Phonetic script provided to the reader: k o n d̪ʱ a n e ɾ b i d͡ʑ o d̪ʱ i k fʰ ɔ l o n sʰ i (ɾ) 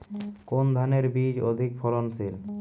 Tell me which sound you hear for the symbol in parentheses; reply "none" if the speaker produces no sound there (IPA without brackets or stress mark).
l